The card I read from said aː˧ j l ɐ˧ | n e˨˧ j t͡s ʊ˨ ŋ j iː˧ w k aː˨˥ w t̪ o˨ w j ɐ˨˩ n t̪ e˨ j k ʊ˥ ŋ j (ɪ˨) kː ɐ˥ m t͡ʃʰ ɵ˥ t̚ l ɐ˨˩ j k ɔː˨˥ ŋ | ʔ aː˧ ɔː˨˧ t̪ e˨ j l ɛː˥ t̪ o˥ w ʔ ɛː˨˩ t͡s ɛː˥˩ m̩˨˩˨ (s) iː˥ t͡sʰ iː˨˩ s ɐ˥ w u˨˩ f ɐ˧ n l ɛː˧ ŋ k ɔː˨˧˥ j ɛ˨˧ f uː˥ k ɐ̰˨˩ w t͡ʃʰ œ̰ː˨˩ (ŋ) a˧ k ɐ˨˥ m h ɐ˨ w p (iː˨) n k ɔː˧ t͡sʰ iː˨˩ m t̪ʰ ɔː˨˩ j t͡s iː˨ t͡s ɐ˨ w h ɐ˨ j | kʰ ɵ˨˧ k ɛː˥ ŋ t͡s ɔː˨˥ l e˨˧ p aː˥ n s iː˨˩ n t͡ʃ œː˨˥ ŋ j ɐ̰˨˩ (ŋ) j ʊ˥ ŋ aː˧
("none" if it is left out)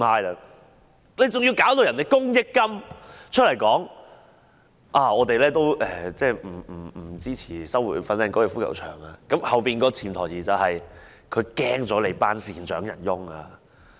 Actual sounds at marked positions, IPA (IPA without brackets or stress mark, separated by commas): ɪ˥, t͡s, ŋ, iː˨, n